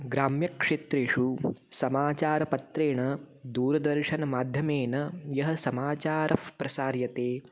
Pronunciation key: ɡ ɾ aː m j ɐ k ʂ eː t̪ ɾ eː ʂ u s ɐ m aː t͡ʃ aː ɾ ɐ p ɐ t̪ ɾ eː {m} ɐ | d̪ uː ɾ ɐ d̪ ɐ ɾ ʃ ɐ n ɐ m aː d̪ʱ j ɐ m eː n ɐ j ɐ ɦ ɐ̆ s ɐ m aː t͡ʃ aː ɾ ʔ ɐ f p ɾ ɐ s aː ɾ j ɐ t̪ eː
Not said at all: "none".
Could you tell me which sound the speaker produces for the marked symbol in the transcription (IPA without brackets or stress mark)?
ɳ